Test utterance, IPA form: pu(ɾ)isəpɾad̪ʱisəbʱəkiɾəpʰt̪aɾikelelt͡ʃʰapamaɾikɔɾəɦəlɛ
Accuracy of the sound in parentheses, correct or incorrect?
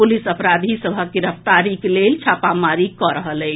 incorrect